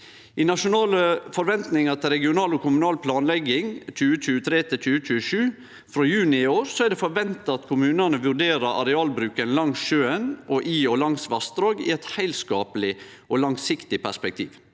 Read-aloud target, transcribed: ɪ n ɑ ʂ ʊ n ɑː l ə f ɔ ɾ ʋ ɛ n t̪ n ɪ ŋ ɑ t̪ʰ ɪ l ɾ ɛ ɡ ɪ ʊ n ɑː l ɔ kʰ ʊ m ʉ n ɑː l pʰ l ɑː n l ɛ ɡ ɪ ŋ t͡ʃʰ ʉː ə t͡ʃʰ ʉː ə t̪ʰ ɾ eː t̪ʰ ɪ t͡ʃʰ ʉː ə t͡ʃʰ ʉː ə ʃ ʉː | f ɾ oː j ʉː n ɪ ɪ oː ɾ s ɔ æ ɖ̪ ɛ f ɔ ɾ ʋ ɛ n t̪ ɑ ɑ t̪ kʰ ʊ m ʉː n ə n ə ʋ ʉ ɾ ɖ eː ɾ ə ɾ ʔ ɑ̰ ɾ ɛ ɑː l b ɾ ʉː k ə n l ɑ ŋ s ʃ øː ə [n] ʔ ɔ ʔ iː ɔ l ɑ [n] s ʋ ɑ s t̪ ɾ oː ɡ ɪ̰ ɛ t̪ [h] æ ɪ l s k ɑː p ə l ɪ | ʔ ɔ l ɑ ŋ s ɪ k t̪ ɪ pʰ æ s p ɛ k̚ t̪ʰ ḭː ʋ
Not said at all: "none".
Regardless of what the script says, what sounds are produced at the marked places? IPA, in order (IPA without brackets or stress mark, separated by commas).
n, ŋ, h